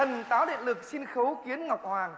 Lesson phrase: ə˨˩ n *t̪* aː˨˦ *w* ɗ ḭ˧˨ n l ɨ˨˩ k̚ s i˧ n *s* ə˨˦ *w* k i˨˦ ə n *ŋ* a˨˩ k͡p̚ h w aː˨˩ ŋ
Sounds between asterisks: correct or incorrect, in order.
correct, correct, incorrect: x, correct, correct

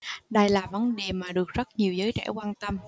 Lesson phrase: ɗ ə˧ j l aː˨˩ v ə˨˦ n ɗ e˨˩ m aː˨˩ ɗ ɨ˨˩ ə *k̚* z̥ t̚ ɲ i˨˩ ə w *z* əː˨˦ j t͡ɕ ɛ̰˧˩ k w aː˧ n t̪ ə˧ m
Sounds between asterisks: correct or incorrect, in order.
correct, correct

